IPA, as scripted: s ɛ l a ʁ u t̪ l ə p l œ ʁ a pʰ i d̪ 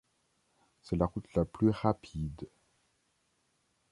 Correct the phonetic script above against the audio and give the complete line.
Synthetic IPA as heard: s ɛ l a ʁ u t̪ l a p l y ʁ a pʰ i d̪